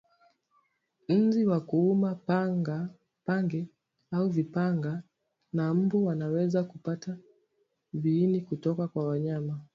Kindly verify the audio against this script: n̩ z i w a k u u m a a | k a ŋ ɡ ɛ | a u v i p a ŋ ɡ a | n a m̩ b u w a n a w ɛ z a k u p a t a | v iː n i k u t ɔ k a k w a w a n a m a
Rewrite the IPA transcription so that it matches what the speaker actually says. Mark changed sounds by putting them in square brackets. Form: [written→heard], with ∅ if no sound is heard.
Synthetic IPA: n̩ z i w a k u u m a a | [k→p] a ŋ ɡ ɛ | a u v i p a ŋ ɡ a | n a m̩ b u w a n a w ɛ z a k u p a t a | v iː n i k u t ɔ k a k w a w a [n→ɲ] a m a